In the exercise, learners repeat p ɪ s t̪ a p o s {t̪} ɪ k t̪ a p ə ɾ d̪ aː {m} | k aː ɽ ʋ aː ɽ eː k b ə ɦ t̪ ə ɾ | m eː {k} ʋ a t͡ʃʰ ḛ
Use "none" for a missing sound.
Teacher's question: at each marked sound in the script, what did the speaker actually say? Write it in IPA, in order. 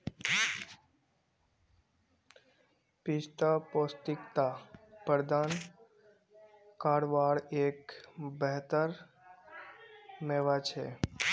t̪, n, none

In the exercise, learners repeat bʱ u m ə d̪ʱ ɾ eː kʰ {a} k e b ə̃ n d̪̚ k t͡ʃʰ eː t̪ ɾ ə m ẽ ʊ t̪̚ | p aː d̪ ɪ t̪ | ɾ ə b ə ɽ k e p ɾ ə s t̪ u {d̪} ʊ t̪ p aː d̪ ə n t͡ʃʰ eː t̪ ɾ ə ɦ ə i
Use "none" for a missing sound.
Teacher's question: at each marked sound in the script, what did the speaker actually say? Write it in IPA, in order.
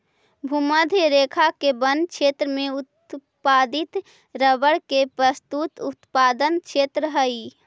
a, t̪

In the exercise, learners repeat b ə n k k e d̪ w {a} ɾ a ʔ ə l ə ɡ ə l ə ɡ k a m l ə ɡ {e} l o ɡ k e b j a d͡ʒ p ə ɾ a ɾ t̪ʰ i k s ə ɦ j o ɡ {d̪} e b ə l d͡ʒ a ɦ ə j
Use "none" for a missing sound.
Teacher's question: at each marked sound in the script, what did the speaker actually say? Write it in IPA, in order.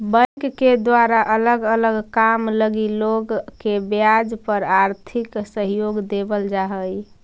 a, i, d̪

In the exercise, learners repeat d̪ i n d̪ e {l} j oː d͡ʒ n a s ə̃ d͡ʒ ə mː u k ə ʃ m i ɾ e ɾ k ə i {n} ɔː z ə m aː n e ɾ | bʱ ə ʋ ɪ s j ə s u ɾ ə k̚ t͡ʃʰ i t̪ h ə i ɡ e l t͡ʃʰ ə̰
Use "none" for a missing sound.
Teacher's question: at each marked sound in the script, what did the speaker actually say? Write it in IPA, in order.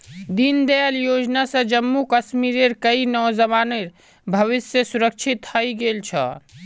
l, n

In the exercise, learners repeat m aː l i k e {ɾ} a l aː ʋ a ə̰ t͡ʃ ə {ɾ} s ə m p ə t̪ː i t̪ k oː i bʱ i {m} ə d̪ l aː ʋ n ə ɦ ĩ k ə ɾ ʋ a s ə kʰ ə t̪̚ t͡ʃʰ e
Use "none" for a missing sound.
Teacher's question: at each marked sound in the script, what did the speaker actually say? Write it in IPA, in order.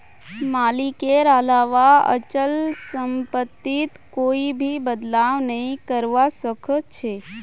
ɾ, l, b

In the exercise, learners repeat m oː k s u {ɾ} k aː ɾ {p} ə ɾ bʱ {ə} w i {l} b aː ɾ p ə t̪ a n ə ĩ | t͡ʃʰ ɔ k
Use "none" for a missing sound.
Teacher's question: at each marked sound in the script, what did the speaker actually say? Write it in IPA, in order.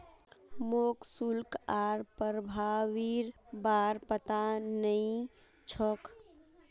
l, p, a, ɾ

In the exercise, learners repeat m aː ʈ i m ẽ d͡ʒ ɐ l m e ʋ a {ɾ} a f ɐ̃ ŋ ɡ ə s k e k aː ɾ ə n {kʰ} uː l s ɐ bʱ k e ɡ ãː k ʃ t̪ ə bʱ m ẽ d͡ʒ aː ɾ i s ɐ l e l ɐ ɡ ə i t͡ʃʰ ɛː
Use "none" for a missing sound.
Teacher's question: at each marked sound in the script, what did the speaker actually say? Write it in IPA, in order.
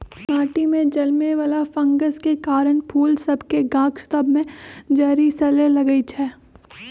l, pʰ

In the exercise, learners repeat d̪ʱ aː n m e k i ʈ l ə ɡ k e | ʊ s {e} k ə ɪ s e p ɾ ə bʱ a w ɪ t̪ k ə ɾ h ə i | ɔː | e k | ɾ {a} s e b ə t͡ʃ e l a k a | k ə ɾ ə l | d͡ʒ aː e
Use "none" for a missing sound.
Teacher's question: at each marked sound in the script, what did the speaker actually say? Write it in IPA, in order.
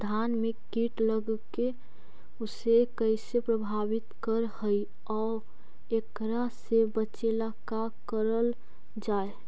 e, a

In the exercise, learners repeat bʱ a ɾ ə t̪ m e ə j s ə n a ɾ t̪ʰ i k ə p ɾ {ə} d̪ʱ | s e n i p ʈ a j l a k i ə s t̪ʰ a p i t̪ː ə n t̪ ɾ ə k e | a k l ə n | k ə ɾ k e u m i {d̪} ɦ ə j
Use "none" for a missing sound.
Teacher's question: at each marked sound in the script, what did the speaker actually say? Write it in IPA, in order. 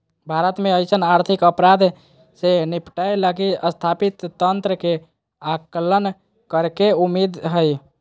a, d̪

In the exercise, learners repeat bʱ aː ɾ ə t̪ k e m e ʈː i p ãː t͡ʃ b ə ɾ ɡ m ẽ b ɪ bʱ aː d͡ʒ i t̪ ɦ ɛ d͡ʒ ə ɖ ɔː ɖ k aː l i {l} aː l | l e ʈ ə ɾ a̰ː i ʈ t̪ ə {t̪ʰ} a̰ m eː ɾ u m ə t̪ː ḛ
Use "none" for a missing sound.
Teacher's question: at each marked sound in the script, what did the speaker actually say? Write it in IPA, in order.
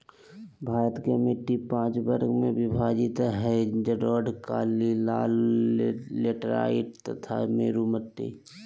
l, t̪ʰ

